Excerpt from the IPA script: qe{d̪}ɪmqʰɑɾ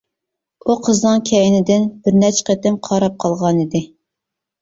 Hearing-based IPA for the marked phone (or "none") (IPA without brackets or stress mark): t̪